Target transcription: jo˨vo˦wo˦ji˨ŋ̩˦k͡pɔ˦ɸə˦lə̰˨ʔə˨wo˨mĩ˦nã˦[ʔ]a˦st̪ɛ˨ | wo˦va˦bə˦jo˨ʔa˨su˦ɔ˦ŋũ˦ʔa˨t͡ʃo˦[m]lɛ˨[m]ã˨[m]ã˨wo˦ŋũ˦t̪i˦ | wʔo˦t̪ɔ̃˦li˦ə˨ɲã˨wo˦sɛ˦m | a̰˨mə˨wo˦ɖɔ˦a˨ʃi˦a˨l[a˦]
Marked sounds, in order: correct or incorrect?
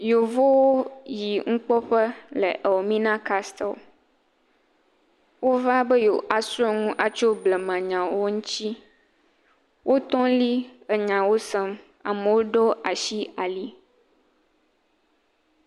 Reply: incorrect, incorrect, correct, incorrect, incorrect

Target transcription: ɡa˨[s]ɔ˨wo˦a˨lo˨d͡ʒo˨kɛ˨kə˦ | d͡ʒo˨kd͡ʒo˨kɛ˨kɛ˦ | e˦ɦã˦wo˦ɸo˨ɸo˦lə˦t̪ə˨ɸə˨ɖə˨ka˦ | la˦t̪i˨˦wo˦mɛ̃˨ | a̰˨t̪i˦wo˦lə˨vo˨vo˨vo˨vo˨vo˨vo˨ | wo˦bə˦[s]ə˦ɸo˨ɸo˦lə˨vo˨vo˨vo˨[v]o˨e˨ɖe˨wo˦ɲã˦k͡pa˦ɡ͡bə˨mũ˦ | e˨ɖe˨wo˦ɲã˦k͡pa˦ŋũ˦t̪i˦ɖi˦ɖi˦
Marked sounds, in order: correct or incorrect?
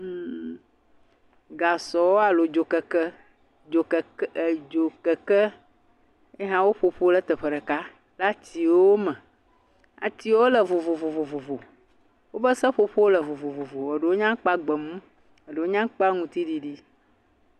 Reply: correct, correct, correct

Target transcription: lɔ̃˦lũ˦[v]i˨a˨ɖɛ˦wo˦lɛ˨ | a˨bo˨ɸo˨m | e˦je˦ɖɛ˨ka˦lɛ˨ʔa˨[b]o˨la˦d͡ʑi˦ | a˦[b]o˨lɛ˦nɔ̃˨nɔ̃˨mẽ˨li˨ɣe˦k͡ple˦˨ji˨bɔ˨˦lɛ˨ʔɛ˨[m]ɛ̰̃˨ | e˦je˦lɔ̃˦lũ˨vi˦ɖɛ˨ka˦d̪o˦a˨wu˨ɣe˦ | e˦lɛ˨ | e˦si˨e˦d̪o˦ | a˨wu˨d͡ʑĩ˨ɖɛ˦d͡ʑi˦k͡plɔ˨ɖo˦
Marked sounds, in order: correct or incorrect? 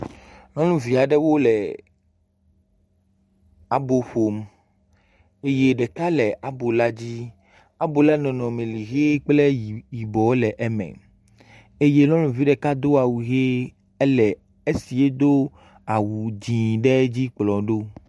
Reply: correct, correct, correct, correct

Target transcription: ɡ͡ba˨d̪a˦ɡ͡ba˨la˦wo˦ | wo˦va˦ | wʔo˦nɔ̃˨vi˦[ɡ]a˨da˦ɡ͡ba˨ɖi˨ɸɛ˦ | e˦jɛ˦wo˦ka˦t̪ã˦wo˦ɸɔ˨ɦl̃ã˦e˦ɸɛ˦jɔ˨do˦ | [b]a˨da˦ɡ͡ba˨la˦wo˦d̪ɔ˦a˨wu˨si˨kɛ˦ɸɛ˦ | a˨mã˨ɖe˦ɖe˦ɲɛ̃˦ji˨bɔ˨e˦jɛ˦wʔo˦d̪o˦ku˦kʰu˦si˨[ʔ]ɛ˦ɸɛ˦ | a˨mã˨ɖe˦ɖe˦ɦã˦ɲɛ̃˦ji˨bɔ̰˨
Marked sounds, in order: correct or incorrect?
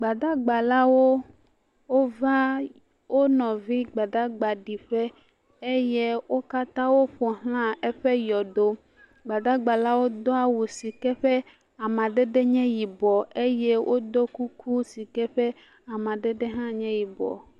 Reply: incorrect, incorrect, incorrect

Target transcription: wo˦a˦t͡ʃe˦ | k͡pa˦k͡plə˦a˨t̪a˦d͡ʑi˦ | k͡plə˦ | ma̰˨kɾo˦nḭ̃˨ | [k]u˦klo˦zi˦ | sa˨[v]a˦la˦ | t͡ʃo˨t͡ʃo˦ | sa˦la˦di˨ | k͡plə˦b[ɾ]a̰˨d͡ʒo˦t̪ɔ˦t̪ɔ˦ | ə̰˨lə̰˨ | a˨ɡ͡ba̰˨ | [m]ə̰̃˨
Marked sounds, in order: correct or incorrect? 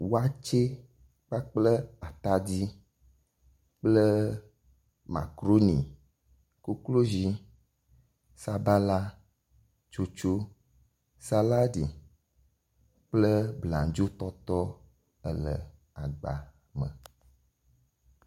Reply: correct, incorrect, incorrect, correct

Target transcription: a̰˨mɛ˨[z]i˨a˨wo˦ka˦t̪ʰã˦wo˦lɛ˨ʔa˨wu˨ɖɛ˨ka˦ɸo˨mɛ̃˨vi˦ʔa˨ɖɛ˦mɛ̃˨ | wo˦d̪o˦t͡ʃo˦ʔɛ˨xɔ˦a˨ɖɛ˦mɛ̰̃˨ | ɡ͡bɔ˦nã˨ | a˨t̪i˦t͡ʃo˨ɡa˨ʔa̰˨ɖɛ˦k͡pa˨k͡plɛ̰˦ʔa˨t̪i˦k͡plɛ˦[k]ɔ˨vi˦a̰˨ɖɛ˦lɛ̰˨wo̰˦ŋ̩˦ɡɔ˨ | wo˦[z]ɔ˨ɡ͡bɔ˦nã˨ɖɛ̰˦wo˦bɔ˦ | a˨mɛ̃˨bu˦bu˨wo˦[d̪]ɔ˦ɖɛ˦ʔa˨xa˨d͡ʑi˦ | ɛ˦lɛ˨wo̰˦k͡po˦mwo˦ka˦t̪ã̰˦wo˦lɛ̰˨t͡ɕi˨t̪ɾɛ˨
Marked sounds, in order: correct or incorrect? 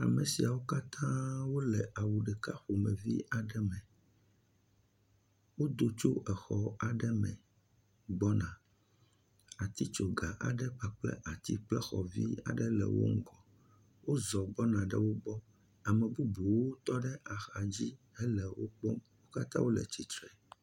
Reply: incorrect, incorrect, correct, incorrect

